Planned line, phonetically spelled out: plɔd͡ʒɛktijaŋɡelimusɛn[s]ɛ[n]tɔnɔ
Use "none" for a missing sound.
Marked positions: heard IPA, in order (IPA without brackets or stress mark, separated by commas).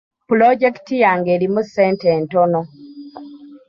t, n